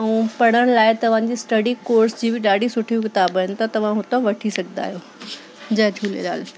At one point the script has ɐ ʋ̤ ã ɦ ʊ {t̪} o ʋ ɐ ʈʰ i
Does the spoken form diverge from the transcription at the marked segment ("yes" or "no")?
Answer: no